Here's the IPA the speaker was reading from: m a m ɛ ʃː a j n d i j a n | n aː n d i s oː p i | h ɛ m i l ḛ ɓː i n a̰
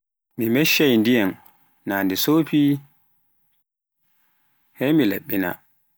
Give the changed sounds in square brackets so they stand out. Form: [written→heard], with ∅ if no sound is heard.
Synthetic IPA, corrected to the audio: m [a→i] m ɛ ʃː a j n d i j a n | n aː n d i s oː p i | h ɛ m i l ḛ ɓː i n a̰